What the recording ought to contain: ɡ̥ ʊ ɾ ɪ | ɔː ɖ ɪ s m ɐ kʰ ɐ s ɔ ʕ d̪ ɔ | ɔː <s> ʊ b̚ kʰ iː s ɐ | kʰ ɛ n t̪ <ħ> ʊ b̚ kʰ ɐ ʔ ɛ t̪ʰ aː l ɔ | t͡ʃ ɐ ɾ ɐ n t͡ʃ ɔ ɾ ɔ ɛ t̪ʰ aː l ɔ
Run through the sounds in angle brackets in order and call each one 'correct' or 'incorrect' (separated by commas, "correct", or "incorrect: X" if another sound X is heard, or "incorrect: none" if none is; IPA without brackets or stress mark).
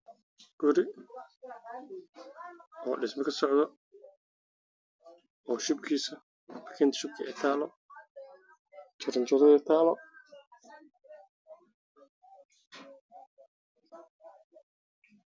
incorrect: ʃ, incorrect: ʃ